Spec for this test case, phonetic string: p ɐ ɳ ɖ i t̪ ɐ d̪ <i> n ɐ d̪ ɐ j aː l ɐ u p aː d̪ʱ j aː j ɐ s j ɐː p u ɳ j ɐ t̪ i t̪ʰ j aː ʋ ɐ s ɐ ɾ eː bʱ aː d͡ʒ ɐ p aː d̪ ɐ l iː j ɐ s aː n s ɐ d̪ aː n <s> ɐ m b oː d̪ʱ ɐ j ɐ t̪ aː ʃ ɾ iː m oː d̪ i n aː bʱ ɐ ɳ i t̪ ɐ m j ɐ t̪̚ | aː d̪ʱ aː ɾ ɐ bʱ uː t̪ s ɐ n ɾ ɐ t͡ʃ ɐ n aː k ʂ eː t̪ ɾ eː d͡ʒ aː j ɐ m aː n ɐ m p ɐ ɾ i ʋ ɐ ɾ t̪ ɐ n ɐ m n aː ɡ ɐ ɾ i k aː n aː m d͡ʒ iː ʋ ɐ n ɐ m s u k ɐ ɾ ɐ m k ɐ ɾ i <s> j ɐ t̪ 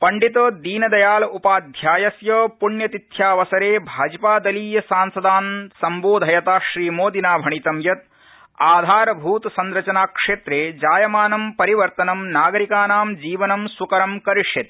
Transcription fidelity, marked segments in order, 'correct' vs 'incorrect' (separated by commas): incorrect, correct, incorrect